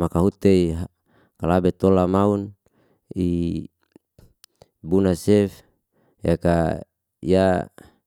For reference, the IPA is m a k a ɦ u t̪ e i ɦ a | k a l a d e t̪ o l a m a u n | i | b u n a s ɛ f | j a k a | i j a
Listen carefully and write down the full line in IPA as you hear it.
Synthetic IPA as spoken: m a k a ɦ u t̪ e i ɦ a | k a l a b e t̪ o l a m a u n | i | b u n a s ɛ f | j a k a | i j a